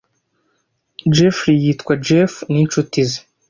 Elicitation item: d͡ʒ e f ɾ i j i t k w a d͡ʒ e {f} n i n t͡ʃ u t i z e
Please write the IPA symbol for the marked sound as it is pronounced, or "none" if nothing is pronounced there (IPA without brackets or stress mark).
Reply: f